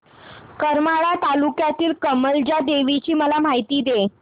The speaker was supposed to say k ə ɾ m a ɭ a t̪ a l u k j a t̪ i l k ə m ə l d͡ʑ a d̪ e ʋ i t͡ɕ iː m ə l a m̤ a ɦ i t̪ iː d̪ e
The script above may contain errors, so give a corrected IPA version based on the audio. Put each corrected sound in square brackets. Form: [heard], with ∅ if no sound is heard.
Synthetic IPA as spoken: k ə ɾ m a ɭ a t̪ a l u k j a t̪ [iː] l k ə m ə l d͡ʑ a d̪ e ʋ i t͡ɕ iː m ə l a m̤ a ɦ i t̪ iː d̪ e